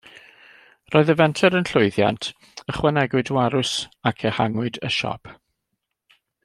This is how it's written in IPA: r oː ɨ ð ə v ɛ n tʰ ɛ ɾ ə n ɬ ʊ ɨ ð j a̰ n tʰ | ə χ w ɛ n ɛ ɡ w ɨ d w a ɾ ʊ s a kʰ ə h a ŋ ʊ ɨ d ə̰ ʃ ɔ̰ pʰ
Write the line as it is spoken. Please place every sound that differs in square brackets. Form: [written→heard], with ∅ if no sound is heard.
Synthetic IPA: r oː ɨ ð ə v ɛ n tʰ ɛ ɾ ə n ɬ ʊ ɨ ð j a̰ n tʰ | ə χ w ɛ n ɛ ɡ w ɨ d w a ɾ ʊ s a kʰ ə h a ŋ ʊ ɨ d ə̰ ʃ ɔ̰ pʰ